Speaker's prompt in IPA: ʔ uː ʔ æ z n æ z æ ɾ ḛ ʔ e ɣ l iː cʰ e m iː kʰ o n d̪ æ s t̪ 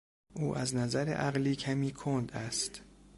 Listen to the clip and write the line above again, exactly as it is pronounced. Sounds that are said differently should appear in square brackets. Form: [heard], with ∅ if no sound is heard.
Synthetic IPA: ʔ uː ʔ æ z n æ z æ ɾ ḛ ʔ [æ] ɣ l iː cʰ [æ] m iː kʰ o n d̪ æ s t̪